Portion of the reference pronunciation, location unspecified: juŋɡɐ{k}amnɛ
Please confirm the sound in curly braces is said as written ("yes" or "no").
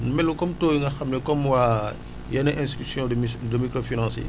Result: no